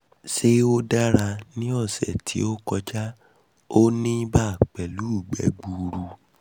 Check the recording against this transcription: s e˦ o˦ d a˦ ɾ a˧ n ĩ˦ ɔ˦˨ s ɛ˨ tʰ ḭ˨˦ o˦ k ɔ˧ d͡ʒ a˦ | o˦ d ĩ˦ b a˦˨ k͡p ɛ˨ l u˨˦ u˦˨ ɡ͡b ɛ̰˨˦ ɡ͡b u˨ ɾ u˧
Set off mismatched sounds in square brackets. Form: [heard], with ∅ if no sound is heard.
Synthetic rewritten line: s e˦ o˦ d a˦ ɾ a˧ n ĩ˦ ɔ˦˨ s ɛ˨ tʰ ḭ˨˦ o˦ k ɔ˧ d͡ʒ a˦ | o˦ [n] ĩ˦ b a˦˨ k͡p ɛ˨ l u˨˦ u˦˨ ɡ͡b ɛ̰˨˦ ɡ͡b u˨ ɾ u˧

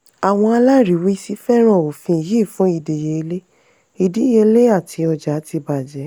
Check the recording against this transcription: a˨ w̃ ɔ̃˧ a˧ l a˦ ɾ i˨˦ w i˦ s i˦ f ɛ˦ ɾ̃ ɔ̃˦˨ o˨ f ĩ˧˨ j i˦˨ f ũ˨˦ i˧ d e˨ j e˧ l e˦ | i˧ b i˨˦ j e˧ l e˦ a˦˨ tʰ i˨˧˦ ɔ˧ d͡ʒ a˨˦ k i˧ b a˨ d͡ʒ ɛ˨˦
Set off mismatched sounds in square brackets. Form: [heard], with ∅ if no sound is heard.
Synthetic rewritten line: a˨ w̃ ɔ̃˧ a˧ l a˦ ɾ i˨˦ w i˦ s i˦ f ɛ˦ ɾ̃ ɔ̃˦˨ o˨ f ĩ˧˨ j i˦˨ f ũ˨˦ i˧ d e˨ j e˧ l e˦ | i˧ [d] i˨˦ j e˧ l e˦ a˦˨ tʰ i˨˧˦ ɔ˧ d͡ʒ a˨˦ [t] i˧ b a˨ d͡ʒ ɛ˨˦

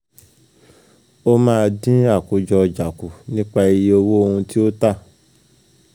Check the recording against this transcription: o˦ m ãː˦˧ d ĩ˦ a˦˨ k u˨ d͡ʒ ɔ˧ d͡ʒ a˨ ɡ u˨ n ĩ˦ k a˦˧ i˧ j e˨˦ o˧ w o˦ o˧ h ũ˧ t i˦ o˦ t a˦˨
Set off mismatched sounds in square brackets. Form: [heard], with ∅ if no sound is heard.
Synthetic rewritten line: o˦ m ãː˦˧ d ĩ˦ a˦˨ k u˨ d͡ʒ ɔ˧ d͡ʒ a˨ [k] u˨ n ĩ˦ [k͡p] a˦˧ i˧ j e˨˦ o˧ w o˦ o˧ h ũ˧ t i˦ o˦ t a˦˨

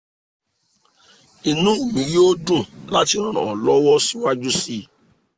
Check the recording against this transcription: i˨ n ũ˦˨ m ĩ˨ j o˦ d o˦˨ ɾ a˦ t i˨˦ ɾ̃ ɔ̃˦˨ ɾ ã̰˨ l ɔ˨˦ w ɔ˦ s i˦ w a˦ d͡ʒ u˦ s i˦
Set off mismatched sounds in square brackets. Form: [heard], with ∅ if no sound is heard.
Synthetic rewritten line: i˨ n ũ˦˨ m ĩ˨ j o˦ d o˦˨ [l] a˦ t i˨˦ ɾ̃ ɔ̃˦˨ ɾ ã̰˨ l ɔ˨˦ w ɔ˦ s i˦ w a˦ d͡ʒ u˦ s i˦

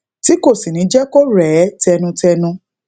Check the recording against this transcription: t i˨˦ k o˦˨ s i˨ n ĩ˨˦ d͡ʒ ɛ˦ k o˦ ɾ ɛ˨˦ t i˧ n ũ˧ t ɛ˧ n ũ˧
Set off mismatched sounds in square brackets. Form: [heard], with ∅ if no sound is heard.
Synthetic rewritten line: t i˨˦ k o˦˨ s i˨ n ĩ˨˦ d͡ʒ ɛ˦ k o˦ ɾ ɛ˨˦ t [ɛ˧] n ũ˧ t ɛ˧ n ũ˧

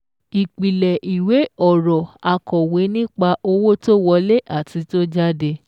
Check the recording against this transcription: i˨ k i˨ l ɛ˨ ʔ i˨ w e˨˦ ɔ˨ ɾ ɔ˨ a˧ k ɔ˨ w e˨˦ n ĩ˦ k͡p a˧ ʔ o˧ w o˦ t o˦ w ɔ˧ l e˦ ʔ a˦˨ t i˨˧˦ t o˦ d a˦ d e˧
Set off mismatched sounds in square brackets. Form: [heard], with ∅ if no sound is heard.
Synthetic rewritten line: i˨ [k͡p] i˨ l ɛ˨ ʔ i˨ w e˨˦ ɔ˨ ɾ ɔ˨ a˧ k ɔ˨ w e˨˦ n ĩ˦ k͡p a˧ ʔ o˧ w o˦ t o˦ w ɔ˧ l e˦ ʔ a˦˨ t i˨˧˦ t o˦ [d͡ʒ] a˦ d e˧

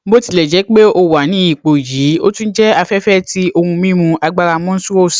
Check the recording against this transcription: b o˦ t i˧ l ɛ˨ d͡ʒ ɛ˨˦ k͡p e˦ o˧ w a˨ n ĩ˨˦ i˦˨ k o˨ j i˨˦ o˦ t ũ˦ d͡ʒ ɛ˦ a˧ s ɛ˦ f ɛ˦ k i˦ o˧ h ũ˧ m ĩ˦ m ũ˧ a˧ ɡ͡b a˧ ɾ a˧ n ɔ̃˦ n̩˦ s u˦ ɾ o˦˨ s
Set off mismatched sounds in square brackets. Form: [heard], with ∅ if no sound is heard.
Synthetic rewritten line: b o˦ t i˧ l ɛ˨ d͡ʒ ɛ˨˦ k͡p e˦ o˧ w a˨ n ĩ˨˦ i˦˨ [k͡p] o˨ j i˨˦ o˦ t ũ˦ d͡ʒ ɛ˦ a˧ [f] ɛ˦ f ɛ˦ [t] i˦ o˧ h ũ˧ m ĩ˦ m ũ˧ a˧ ɡ͡b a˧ ɾ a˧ [m] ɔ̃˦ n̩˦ s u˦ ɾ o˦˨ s

